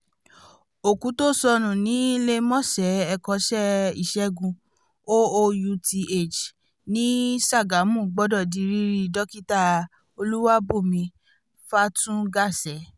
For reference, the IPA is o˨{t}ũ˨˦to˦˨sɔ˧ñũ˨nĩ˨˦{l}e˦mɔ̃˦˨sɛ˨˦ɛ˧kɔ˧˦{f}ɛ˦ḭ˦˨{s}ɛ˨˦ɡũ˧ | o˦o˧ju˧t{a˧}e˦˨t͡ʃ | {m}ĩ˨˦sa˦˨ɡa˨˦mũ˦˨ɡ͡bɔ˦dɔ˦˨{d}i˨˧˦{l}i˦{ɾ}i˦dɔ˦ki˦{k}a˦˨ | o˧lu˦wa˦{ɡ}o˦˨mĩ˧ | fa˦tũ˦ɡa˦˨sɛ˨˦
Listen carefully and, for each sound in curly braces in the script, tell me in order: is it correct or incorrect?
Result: incorrect: k, correct, incorrect: ʃ, incorrect: ʃ, incorrect: i˧, incorrect: n, correct, incorrect: ɾ, correct, incorrect: t, incorrect: b

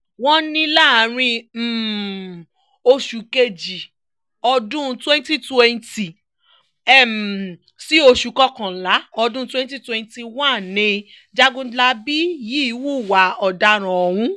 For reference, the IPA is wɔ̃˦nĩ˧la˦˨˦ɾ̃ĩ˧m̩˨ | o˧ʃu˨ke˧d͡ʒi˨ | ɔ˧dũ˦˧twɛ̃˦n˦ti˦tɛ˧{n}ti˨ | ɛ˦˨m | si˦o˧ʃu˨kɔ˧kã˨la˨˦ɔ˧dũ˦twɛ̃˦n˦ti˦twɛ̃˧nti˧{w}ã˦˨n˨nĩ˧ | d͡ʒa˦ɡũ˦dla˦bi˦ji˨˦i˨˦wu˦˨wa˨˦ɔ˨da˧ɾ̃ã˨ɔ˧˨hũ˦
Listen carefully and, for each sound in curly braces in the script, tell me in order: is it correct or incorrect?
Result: correct, correct

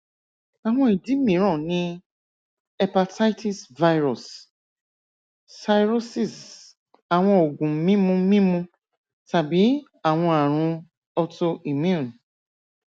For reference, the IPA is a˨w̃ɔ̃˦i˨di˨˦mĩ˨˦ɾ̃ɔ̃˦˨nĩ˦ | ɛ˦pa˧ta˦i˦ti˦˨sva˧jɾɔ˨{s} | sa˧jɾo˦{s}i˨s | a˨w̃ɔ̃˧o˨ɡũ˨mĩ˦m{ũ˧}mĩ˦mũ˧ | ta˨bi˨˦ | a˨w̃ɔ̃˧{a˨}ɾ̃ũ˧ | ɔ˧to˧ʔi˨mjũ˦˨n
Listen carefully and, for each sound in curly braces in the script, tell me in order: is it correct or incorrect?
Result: correct, correct, correct, correct

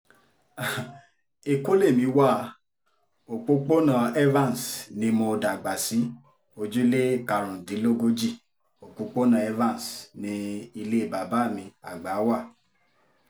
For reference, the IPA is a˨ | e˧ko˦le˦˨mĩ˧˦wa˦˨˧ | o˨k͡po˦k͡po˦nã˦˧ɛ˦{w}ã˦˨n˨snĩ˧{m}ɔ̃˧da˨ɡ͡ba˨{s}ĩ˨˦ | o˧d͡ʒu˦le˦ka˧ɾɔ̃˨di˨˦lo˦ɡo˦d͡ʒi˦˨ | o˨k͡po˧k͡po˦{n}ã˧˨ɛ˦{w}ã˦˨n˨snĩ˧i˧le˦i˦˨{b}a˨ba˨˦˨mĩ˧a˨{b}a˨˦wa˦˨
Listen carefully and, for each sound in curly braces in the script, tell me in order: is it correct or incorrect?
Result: incorrect: v, correct, correct, correct, incorrect: v, correct, incorrect: ɡ͡b

